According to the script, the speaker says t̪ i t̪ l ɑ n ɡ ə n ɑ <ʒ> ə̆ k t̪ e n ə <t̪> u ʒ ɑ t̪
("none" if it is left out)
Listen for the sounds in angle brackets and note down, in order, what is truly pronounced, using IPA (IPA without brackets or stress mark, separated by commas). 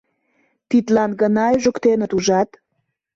ʒ, t̪